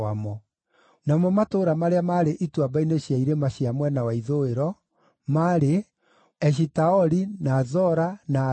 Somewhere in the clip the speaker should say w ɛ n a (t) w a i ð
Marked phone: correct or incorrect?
incorrect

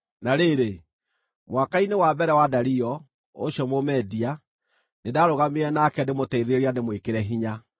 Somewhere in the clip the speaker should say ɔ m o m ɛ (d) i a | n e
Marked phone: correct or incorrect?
correct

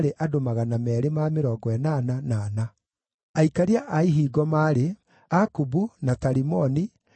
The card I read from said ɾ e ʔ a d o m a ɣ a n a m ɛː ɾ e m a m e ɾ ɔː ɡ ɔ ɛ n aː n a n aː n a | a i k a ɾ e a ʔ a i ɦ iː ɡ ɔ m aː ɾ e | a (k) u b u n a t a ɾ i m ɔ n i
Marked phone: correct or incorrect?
correct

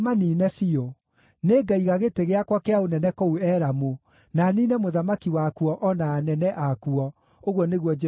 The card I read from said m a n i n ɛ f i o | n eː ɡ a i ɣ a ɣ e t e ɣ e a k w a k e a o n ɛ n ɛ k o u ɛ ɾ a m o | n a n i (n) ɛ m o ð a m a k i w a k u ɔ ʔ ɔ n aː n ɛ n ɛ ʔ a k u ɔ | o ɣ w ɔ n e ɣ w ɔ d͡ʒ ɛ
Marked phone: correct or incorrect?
correct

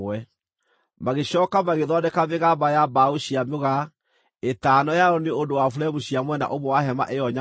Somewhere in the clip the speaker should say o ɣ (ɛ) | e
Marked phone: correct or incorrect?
incorrect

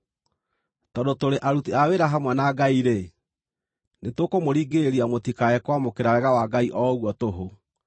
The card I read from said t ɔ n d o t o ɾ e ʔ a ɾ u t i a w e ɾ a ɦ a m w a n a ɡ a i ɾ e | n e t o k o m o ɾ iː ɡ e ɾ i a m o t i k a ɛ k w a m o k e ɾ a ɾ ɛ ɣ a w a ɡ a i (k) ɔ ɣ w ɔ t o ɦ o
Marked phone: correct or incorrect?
incorrect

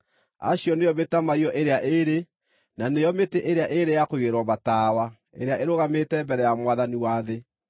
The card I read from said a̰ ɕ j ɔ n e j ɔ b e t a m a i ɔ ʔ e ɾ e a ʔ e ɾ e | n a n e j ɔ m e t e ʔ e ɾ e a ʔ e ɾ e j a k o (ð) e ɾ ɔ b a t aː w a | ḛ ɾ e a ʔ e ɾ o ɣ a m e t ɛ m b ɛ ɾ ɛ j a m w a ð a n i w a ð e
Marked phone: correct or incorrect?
incorrect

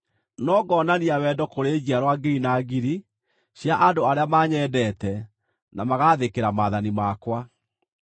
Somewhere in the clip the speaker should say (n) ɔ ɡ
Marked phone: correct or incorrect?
correct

